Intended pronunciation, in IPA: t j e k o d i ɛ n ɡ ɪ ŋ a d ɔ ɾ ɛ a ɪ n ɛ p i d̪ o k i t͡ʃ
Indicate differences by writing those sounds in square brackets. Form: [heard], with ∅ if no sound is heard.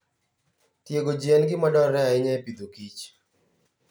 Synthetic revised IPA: t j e [ɡ] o [d͡ʒ] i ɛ n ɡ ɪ [m] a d ɔ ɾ ɛ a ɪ [ɲ] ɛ p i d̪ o k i t͡ʃ